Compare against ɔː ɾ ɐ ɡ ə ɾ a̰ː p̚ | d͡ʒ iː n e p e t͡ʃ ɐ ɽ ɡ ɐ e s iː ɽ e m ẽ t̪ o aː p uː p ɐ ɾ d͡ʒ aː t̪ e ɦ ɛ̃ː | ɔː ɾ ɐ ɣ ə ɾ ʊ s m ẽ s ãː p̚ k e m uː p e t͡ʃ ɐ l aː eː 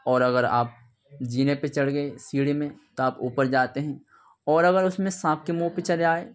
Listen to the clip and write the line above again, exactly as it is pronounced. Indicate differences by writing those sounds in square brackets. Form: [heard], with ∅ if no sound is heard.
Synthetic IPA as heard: ɔː ɾ ɐ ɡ ə ɾ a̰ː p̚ | d͡ʒ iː n e p e t͡ʃ ɐ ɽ ɡ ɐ e s iː ɽ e m ẽ t̪ o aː p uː p [ə] ɾ d͡ʒ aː t̪ e ɦ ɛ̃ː | ɔː ɾ ɐ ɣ ə ɾ ʊ s m ẽ s ãː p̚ k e m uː p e t͡ʃ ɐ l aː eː